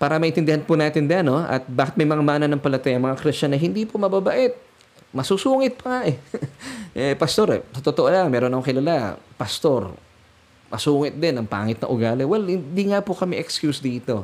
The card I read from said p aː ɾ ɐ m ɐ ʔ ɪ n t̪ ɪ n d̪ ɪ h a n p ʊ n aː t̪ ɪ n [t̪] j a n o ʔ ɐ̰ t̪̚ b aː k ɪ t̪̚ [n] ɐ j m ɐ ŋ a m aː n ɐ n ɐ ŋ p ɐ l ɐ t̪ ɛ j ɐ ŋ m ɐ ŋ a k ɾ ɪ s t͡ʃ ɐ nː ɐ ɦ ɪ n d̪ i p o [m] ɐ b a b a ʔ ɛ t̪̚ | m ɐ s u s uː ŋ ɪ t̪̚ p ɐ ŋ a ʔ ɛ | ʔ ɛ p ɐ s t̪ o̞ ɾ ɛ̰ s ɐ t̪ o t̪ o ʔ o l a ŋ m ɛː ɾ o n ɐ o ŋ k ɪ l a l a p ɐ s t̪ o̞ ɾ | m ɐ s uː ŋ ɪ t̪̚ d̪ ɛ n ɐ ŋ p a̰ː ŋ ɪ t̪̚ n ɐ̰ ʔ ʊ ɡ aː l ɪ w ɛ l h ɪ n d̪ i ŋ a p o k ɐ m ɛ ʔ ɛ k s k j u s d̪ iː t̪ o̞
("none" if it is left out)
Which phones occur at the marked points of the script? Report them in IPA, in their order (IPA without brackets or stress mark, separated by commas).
d̪, m, m